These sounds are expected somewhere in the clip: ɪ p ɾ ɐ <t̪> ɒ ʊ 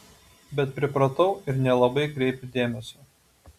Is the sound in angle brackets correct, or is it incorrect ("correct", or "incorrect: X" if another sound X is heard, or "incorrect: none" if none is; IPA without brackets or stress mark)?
correct